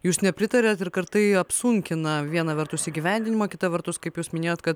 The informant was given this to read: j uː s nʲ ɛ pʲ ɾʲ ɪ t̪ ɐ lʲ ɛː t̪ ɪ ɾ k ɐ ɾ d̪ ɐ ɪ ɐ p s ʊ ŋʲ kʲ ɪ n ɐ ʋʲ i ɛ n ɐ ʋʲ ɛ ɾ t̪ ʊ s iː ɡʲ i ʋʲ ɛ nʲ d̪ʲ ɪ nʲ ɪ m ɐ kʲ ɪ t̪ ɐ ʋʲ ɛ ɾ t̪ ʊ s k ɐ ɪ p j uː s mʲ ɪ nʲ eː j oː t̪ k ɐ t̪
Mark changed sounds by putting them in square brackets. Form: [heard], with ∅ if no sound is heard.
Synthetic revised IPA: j uː s nʲ ɛ pʲ ɾʲ ɪ t̪ ɐ [ɾʲ] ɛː t̪ ɪ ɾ k ɐ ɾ [t̪] ɐ ɪ ɐ p s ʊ ŋʲ kʲ ɪ n ɐ ʋʲ i ɛ n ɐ ʋʲ ɛ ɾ t̪ ʊ s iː ɡʲ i ʋʲ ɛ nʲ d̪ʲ ɪ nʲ ɪ m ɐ kʲ ɪ t̪ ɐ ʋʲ ɛ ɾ t̪ ʊ s k ɐ ɪ p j uː s mʲ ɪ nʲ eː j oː t̪ k ɐ t̪